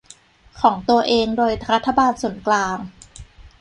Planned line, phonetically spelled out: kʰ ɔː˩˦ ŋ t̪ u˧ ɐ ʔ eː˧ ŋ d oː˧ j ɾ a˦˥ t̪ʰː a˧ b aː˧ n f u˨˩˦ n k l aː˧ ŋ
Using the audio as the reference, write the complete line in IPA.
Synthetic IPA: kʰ ɔː˩˦ ŋ t̪ u˧ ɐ ʔ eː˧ ŋ d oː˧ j ɾ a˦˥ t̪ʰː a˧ b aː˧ n s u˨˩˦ n k l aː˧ ŋ